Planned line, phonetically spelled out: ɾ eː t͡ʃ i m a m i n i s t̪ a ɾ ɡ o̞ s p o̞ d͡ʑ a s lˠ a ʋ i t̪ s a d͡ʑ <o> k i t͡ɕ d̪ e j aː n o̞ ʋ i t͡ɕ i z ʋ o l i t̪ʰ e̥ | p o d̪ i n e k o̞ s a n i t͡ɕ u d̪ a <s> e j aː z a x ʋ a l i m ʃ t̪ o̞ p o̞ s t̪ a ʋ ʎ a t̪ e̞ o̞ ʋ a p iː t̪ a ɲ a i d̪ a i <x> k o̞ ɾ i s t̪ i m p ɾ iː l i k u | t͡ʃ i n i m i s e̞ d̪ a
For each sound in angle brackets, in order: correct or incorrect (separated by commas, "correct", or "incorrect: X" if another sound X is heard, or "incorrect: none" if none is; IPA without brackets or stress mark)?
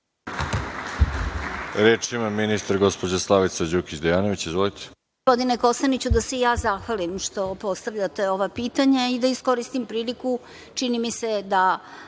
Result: incorrect: u, correct, incorrect: s